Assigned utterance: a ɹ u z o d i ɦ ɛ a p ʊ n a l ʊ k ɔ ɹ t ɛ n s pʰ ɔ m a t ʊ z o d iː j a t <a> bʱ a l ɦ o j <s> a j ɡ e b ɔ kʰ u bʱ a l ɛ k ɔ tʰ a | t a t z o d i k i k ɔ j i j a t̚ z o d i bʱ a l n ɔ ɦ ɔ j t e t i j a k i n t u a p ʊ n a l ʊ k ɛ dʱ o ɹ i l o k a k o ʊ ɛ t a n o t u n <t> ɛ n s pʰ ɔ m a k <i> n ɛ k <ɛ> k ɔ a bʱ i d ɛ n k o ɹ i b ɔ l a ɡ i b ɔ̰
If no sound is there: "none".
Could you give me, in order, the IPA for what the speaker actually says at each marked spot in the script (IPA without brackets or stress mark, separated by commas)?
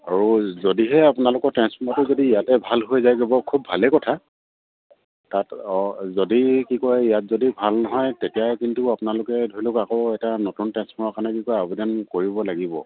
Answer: ɛ, z, t, a, i